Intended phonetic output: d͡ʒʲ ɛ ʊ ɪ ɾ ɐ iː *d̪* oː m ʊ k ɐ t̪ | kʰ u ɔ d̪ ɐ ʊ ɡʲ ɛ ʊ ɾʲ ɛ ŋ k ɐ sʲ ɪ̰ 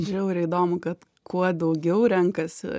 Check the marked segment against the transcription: correct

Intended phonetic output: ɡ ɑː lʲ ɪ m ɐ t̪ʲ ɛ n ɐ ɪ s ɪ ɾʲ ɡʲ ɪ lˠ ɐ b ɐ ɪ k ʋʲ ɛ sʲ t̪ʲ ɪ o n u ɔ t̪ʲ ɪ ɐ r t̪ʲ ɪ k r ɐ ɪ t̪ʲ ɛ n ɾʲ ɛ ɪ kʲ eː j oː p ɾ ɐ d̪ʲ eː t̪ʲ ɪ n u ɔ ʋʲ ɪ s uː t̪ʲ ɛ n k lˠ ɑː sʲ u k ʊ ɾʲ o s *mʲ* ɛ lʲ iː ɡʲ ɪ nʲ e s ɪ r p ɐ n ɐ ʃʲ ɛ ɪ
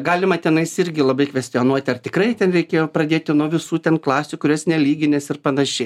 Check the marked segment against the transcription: incorrect: nʲ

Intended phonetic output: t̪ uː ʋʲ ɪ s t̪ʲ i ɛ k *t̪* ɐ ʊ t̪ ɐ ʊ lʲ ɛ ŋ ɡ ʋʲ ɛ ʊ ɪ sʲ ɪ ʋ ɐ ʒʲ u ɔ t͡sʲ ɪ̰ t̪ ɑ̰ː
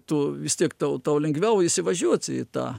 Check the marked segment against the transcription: correct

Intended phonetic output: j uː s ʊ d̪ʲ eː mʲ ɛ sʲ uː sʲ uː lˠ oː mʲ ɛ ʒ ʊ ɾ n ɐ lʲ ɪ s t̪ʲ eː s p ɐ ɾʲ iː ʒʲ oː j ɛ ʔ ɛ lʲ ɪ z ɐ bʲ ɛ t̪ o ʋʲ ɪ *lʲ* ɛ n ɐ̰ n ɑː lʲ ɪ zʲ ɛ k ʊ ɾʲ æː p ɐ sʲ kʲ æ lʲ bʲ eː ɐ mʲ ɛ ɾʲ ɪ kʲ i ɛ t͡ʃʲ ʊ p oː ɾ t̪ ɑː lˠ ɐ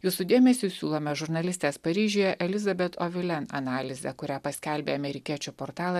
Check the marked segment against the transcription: correct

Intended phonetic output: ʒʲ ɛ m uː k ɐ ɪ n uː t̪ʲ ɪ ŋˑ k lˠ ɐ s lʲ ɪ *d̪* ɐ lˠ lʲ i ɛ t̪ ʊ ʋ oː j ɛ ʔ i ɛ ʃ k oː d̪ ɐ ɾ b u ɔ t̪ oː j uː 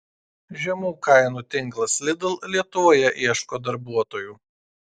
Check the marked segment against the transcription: correct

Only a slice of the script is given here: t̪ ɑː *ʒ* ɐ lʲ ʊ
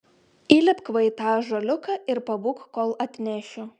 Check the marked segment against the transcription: correct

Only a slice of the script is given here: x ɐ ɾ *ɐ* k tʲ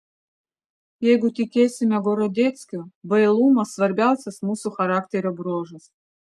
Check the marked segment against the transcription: incorrect: a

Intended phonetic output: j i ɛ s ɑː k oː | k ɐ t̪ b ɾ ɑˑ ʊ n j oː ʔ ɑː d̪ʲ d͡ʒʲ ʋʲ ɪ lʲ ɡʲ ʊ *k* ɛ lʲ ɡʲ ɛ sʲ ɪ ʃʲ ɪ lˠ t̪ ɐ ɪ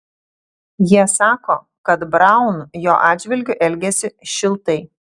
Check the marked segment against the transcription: incorrect: ʔ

